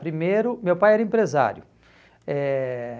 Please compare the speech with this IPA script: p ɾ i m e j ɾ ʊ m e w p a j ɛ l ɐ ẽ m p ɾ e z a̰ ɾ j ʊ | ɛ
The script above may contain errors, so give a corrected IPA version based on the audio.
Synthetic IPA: p ɾ i m e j ɾ ʊ m e w p a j ɛ ɾ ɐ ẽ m p ɾ e z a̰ ɾ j ʊ | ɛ